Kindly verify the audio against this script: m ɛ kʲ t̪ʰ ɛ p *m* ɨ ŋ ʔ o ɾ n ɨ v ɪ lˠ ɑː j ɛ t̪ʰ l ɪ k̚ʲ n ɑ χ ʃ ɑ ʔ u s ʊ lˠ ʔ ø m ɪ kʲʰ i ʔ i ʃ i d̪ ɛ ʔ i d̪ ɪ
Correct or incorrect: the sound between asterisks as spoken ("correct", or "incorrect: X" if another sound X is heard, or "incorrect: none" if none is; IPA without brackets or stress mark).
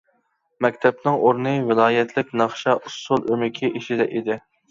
incorrect: n